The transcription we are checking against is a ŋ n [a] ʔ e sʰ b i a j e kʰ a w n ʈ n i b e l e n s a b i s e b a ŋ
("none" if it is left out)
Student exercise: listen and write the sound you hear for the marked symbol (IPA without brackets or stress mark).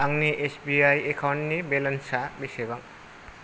i